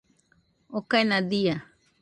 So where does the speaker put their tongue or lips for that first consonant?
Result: velum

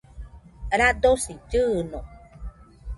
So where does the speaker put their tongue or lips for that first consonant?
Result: tongue tip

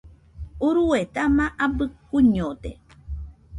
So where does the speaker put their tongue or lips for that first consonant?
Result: tongue tip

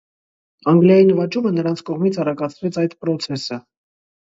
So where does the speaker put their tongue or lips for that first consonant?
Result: velum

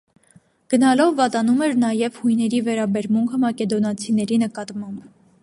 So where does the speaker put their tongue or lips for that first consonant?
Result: velum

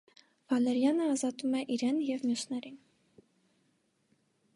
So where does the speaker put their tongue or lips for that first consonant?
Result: lips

